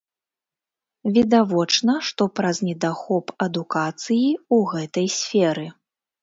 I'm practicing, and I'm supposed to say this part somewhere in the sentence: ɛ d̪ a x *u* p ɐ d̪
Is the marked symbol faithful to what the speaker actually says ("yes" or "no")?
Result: no